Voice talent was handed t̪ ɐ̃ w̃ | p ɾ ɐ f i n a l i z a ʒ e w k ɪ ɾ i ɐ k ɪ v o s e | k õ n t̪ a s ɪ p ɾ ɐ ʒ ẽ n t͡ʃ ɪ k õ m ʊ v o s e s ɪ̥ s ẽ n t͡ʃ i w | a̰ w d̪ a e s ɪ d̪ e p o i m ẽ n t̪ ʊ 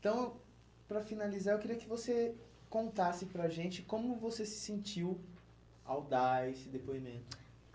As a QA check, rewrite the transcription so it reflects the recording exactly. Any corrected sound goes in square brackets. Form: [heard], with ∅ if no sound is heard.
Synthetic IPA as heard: t̪ ɐ̃ w̃ | p ɾ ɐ f i n a l i z a [∅] e w k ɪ ɾ i ɐ k ɪ v o s e | k õ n t̪ a s ɪ p ɾ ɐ ʒ ẽ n t͡ʃ ɪ k õ m ʊ v o s e s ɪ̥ s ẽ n t͡ʃ i w | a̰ w d̪ a e s ɪ d̪ e p o i m ẽ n t̪ ʊ

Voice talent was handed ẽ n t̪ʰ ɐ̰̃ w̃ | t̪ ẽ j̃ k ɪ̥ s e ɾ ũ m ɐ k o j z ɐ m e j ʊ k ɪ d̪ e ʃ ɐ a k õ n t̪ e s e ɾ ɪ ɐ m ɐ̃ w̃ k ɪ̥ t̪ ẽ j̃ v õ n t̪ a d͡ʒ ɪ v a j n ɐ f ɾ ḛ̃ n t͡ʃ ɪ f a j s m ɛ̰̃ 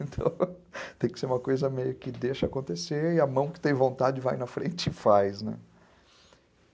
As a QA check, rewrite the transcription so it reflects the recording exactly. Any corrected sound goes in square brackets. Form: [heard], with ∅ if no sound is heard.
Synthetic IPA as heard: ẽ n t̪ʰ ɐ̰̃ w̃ | t̪ ẽ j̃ k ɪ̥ s e ɾ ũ m ɐ k o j z ɐ m e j ʊ k ɪ d̪ e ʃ ɐ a k õ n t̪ e s e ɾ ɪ ɐ m ɐ̃ w̃ k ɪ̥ t̪ ẽ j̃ v õ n t̪ a d͡ʒ ɪ v a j n ɐ f ɾ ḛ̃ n t͡ʃ ɪ f a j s [n] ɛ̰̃

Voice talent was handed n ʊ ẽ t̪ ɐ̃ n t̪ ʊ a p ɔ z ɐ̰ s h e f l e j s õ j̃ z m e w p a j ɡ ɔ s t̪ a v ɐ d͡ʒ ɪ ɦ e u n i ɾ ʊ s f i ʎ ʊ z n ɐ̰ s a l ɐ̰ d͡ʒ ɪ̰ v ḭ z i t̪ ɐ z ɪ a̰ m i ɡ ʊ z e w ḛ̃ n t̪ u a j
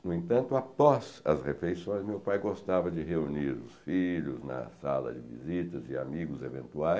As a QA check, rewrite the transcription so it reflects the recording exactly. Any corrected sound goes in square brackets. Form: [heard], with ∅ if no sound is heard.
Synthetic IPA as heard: n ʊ ẽ t̪ ɐ̃ n t̪ ʊ a p ɔ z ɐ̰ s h e f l e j s õ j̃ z m e w p a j ɡ [o] s t̪ a v ɐ d͡ʒ ɪ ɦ e u n i ɾ ʊ s f i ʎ ʊ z n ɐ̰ s a l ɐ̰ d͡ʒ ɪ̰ v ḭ z i t̪ ɐ z ɪ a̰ m i ɡ ʊ z e [v] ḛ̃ n t̪ u a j

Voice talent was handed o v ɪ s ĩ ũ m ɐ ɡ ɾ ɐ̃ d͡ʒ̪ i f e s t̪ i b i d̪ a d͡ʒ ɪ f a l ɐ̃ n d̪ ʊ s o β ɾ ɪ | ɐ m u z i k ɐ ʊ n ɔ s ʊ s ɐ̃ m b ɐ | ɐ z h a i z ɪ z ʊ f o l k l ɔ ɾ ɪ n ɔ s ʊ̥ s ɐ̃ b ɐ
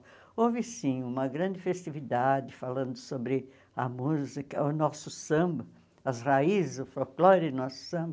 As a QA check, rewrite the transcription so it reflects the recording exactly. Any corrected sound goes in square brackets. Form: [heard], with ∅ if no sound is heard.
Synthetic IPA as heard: o v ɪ s ĩ ũ m ɐ ɡ ɾ ɐ̃ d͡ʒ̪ [ɪ] f e s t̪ i [v] i d̪ a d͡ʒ ɪ f a l ɐ̃ n d̪ ʊ s o [b] ɾ ɪ | ɐ m u z i k ɐ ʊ n ɔ s ʊ s ɐ̃ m b ɐ | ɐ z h a i z ɪ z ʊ f o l k l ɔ ɾ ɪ n ɔ s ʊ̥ s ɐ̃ b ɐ

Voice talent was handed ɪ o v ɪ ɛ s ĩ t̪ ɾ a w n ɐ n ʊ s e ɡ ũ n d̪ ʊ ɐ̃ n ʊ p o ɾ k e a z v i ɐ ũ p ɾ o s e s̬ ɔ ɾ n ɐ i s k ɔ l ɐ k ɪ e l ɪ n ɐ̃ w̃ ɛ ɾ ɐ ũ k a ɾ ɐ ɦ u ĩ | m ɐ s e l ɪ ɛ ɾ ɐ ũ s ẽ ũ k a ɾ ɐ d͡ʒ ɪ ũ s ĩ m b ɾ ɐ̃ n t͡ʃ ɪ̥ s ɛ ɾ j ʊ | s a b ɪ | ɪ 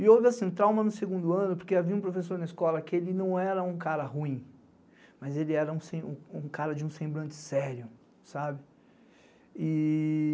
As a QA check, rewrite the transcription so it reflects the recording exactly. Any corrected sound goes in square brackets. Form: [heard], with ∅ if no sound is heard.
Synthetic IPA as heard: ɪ o v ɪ [a] s ĩ t̪ ɾ a w [m] ɐ n ʊ s e ɡ ũ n d̪ ʊ ɐ̃ n ʊ p o ɾ k e a [∅] v i ɐ ũ p ɾ o [f] e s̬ [o] ɾ n ɐ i s k ɔ l ɐ k ɪ e l ɪ n ɐ̃ w̃ ɛ ɾ ɐ ũ k a ɾ ɐ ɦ u ĩ | m ɐ [z] e l ɪ ɛ ɾ ɐ ũ s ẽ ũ k a ɾ ɐ d͡ʒ ɪ ũ s [ẽ] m b ɾ ɐ̃ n t͡ʃ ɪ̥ s ɛ ɾ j ʊ | s a b ɪ | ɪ

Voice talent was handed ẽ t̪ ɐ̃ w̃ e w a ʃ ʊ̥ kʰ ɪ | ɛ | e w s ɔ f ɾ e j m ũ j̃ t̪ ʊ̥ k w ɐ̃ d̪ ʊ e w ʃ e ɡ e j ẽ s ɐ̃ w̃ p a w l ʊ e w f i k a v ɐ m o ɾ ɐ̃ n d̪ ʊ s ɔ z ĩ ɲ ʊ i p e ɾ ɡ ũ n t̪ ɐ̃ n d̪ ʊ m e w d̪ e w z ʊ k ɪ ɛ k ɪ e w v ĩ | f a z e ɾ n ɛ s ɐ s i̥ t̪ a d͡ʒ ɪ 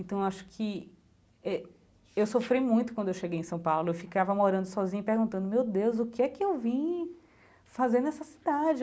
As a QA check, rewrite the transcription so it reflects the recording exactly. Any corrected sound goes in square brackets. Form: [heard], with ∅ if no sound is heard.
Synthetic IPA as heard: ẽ t̪ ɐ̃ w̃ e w a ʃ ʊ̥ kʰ ɪ | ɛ | e w s [o] f ɾ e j m ũ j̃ t̪ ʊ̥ k w ɐ̃ d̪ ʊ e w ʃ e ɡ e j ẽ s ɐ̃ w̃ p a w l ʊ e w f i k a v ɐ m o ɾ ɐ̃ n d̪ ʊ s ɔ z ĩ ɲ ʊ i p e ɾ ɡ ũ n t̪ ɐ̃ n d̪ ʊ m e w d̪ e w z ʊ k ɪ ɛ k ɪ e w v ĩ | f a z e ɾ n ɛ s ɐ s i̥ [d̪] a d͡ʒ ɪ

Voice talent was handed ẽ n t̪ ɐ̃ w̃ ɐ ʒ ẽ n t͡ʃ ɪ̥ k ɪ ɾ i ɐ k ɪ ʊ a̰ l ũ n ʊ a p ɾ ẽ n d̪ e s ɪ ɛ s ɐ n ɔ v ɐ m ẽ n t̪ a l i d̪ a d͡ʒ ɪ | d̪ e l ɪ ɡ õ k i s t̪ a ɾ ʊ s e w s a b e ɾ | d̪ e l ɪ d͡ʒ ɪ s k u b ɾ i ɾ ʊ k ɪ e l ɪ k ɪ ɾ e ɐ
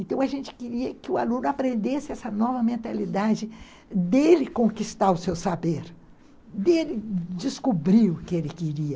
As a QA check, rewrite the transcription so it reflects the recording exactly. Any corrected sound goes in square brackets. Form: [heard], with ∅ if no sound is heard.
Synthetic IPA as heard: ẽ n t̪ ɐ̃ w̃ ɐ ʒ ẽ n t͡ʃ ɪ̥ k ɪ ɾ i ɐ k ɪ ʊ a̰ l ũ n ʊ a p ɾ ẽ n d̪ e s ɪ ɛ s ɐ n ɔ v ɐ m ẽ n t̪ a l i d̪ a d͡ʒ ɪ | d̪ e l ɪ [k] õ k i s t̪ a ɾ ʊ s e w s a b e ɾ | d̪ e l ɪ d͡ʒ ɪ s k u b ɾ i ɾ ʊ k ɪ e l ɪ k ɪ ɾ [i] ɐ

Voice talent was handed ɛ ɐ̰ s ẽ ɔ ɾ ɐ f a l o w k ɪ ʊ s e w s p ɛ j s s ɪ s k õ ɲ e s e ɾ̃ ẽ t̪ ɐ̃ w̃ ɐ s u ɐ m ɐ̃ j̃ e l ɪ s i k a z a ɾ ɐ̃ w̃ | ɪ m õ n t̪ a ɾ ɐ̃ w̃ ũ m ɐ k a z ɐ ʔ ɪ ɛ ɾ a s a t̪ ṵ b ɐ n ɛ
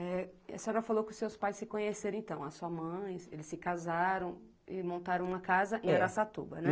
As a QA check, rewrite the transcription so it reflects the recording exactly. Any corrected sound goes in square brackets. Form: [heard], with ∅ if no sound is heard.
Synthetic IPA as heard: ɛ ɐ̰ s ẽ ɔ ɾ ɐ f a l o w k ɪ ʊ s e w s p [a] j s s ɪ [∅] k õ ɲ e s e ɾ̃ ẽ t̪ ɐ̃ w̃ ɐ s u ɐ m ɐ̃ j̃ e l ɪ s [ɪ] k a z a ɾ ɐ̃ w̃ | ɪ m õ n t̪ a ɾ ɐ̃ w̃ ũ m ɐ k a z ɐ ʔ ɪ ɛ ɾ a s a t̪ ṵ b ɐ n ɛ

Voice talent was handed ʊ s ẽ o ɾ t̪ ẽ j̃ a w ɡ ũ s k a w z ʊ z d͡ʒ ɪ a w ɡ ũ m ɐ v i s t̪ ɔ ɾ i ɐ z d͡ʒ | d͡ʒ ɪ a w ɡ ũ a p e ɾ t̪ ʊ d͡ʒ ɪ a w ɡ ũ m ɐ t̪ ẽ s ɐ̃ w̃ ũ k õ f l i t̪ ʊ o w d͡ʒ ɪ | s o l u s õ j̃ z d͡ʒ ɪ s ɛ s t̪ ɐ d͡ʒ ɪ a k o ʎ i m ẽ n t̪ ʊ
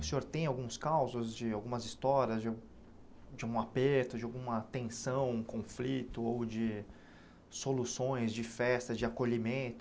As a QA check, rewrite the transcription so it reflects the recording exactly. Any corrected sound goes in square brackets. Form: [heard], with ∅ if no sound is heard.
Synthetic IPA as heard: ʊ s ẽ o ɾ t̪ ẽ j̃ a w ɡ ũ s k a w z ʊ z d͡ʒ ɪ a w ɡ ũ m ɐ [z] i s t̪ ɔ ɾ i ɐ z d͡ʒ | d͡ʒ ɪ a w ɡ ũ a p e ɾ t̪ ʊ d͡ʒ ɪ a w ɡ ũ m ɐ t̪ ẽ s ɐ̃ w̃ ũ k õ f l i t̪ ʊ o w d͡ʒ ɪ | s o l u s õ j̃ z d͡ʒ ɪ [f] ɛ s t̪ ɐ d͡ʒ ɪ a k o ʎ i m ẽ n t̪ ʊ

